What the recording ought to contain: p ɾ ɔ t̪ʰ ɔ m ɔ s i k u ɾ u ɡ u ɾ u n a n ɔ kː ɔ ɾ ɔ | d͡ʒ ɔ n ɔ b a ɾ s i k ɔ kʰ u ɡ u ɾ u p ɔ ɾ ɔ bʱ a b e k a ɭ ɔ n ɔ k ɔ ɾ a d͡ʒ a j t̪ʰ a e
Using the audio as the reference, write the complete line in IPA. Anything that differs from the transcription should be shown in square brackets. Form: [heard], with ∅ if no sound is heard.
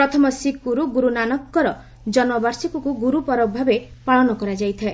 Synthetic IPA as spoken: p ɾ ɔ t̪ʰ ɔ m ɔ s i k u ɾ u ɡ u ɾ u n a n ɔ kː ɔ ɾ ɔ | d͡ʒ ɔ n ɔ b a ɾ s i k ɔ [k] u ɡ u ɾ u p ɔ ɾ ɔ bʱ a b e [p] a ɭ ɔ n ɔ k ɔ ɾ a d͡ʒ a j t̪ʰ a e